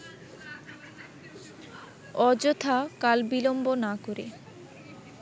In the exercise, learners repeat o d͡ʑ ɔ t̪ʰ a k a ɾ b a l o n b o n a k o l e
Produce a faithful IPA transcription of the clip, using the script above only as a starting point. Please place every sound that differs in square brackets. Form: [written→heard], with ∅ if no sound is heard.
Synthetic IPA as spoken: [o→ɔ] d͡ʑ [ɔ→o] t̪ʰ a k a [ɾ→l] b [a→i] l o [n→m] b o n a k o [l→ɾ] e